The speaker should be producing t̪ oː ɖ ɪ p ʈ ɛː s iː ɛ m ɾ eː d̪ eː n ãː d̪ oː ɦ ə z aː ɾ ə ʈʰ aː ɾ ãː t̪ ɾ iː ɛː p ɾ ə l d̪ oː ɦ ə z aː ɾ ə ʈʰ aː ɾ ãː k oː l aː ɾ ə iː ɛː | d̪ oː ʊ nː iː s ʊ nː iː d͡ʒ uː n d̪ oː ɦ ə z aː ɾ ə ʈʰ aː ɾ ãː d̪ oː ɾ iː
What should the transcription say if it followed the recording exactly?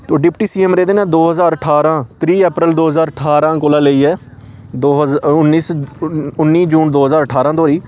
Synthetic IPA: t̪ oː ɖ ɪ p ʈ iː s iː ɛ m ɾ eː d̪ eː n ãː d̪ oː ɦ ə z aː ɾ ə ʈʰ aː ɾ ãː t̪ ɾ iː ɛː p ɾ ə l d̪ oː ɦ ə z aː ɾ ə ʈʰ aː ɾ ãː k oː l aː l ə iː ɛː | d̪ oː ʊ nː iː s ʊ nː iː d͡ʒ uː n d̪ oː ɦ ə z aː ɾ ə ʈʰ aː ɾ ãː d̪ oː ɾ iː